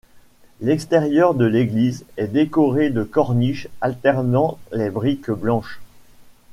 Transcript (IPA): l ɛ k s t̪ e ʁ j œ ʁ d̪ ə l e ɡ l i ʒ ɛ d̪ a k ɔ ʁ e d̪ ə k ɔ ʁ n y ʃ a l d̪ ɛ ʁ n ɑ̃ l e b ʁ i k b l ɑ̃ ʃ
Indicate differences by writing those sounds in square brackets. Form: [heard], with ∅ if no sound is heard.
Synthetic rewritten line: l ɛ k s t̪ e ʁ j œ ʁ d̪ ə l e ɡ l i [z] ɛ d̪ [e] k ɔ ʁ e d̪ ə k ɔ ʁ n [i] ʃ a l [t̪] ɛ ʁ n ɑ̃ l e b ʁ i k b l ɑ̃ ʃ